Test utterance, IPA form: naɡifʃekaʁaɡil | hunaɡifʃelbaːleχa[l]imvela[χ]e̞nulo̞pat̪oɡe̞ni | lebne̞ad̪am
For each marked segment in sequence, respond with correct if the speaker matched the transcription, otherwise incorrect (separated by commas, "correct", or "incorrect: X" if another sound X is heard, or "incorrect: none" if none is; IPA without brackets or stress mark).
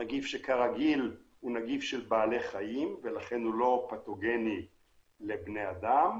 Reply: incorrect: none, correct